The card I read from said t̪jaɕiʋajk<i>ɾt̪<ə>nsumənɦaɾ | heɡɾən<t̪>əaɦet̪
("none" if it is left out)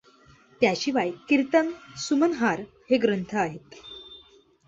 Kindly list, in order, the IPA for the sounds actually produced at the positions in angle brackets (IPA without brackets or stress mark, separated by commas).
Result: i, ə, t̪ʰ